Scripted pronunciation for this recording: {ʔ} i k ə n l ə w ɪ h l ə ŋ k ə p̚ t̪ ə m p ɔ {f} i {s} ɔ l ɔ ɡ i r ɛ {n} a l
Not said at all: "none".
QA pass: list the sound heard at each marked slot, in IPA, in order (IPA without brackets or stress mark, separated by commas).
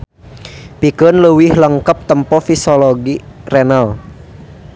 p, f, s, n